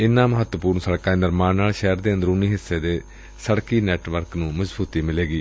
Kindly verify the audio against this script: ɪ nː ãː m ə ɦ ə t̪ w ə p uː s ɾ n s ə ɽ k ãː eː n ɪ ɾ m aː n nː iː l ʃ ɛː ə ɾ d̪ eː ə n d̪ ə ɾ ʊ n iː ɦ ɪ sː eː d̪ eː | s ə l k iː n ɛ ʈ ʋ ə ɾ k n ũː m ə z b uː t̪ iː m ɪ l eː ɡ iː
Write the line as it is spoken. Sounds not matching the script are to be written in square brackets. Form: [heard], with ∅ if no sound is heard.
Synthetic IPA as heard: ɪ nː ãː m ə ɦ ə t̪ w ə p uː [∅] ɾ n s ə ɽ k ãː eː n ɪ ɾ m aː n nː [aː] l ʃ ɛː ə ɾ d̪ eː ə n d̪ ə ɾ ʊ n iː ɦ ɪ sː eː d̪ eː | s ə [ɽ] k iː n [ɛː] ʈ ʋ ə ɾ k n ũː m ə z b uː t̪ iː m ɪ l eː ɡ iː